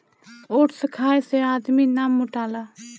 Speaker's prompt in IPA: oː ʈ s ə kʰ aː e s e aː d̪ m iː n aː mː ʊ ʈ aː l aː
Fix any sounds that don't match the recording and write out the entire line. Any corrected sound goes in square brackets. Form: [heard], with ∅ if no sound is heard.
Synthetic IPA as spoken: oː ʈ s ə kʰ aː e s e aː d̪ m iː n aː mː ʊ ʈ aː l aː